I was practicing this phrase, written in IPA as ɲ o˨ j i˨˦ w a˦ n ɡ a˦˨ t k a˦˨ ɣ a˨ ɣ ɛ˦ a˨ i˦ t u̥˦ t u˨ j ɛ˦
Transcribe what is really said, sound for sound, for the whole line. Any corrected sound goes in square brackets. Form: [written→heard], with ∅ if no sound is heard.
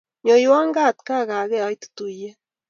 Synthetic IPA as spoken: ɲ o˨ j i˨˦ w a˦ [n→ŋ] ɡ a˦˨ t k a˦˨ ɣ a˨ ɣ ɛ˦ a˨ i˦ t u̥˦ t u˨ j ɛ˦